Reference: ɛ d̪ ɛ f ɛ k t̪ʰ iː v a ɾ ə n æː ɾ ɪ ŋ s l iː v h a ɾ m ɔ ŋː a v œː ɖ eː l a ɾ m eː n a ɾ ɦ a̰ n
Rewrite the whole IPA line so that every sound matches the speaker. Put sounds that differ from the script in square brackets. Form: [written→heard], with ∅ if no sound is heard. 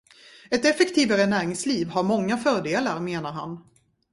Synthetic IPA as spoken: ɛ [d̪→t̪] ɛ f ɛ k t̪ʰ iː v a ɾ ə n æː ɾ ɪ ŋ s l iː v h a ɾ m ɔ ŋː a [v→f] œː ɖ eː l a ɾ m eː n a ɾ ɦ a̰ n